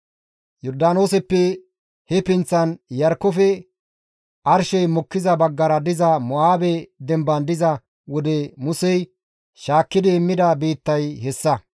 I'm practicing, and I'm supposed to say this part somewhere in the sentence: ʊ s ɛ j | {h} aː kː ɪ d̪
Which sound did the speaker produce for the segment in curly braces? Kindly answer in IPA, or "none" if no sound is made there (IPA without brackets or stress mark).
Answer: ʃ